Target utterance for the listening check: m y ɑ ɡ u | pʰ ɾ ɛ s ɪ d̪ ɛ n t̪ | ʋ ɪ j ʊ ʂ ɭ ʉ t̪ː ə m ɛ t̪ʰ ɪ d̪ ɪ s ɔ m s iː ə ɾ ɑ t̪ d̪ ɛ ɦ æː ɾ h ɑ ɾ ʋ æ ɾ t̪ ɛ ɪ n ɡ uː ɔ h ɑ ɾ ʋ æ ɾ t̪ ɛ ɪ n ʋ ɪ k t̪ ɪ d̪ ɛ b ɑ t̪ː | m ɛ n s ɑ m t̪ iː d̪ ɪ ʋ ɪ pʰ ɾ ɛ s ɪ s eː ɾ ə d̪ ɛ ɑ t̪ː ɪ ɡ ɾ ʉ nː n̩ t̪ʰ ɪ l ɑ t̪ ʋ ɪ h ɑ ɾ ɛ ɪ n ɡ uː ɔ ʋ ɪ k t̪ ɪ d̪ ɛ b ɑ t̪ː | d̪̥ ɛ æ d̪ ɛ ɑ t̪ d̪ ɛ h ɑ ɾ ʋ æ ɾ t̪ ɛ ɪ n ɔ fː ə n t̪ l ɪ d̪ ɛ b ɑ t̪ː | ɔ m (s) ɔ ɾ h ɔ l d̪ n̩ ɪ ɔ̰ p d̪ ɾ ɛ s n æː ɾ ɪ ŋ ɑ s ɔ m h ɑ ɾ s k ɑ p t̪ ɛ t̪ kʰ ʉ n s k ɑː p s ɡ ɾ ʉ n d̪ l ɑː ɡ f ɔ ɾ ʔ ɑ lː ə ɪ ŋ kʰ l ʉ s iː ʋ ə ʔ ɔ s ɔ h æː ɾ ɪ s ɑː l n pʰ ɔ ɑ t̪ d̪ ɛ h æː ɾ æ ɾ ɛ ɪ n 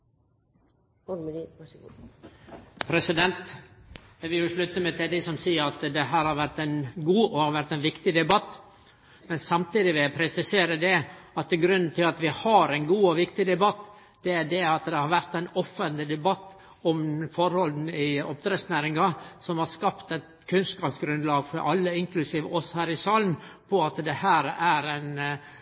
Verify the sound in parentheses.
incorrect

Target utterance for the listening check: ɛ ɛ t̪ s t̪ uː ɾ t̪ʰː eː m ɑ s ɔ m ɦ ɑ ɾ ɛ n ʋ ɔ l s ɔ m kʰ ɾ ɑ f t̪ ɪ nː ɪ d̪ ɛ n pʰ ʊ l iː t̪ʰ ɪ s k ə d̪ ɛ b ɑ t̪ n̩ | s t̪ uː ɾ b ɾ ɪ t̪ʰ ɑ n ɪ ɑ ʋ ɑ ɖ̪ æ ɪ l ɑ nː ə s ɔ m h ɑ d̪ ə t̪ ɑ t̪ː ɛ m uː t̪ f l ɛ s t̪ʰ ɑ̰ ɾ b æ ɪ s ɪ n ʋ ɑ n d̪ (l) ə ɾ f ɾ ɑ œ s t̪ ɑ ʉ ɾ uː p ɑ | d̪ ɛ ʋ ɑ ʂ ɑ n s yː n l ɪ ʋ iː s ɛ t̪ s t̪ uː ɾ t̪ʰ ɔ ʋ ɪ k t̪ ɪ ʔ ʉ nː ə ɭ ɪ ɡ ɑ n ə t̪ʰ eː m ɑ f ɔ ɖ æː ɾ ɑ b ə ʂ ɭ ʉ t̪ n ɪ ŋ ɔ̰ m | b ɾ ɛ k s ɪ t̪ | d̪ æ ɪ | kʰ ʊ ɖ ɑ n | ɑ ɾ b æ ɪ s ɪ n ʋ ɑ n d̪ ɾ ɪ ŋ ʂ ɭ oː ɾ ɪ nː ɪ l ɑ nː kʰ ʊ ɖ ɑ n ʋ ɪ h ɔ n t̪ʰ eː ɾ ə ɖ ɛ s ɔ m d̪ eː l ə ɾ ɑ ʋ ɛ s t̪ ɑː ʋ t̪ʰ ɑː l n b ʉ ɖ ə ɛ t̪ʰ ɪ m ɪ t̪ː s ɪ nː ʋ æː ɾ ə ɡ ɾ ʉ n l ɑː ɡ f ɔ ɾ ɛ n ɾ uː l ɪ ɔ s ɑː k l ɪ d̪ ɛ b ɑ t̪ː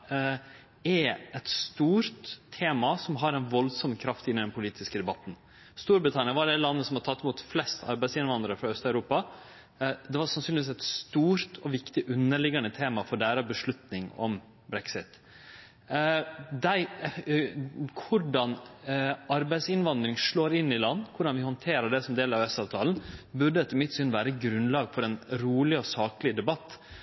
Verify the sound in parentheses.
incorrect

